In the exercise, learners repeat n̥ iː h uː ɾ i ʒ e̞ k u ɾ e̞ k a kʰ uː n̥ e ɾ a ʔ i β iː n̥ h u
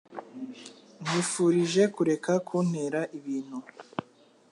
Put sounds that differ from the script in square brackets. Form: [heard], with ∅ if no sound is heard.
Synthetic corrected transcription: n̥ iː [f] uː ɾ i ʒ e̞ k u ɾ e̞ k a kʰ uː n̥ e ɾ a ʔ i β iː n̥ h u